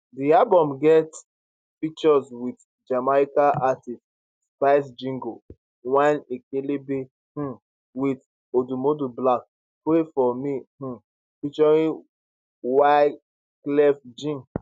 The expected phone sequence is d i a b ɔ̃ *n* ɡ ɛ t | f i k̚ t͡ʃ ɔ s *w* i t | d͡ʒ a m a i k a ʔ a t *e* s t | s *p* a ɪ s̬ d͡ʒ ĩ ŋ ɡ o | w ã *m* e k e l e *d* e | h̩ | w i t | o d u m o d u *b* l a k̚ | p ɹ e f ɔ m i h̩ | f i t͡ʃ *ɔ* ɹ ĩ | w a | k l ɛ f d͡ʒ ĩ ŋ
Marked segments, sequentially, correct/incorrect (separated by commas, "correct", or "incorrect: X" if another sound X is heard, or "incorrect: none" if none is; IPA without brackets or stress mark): incorrect: m, correct, incorrect: i, correct, incorrect: n, incorrect: b, correct, correct